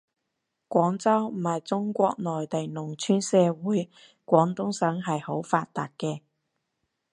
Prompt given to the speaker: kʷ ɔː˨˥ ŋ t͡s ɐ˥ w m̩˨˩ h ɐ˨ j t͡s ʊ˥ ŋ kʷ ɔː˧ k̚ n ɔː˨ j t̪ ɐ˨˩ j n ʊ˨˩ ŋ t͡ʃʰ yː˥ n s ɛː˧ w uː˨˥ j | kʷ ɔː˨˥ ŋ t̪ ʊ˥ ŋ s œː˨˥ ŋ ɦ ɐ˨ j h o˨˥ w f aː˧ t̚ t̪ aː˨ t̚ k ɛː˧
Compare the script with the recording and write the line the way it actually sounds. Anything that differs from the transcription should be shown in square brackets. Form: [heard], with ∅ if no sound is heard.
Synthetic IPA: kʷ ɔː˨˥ ŋ t͡s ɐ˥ w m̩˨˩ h ɐ˨ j t͡s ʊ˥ ŋ kʷ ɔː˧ k̚ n ɔː˨ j t̪ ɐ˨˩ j n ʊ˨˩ ŋ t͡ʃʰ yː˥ n s ɛː˧ w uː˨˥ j | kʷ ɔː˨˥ ŋ t̪ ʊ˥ ŋ s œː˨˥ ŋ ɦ ɐ˨ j h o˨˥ w f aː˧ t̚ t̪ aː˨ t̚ k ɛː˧